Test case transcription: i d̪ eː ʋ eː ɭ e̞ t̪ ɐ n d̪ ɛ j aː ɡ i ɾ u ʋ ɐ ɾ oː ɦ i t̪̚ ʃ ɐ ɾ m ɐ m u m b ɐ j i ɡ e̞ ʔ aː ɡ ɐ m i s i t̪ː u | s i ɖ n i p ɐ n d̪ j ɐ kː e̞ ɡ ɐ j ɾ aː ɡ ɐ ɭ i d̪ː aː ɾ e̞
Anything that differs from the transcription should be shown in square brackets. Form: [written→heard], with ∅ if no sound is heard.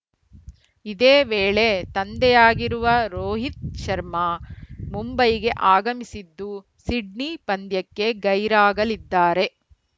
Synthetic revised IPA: i d̪ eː ʋ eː ɭ e̞ t̪ ɐ n d̪ ɛ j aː ɡ i ɾ u ʋ ɐ ɾ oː ɦ i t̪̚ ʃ ɐ ɾ m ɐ m u m b ɐ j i ɡ e̞ ʔ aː ɡ ɐ m i s i [t̪ː→d̪ː] u | s i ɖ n i p ɐ n d̪ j ɐ kː e̞ ɡ ɐ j ɾ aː ɡ ɐ [ɭ→l] i d̪ː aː ɾ e̞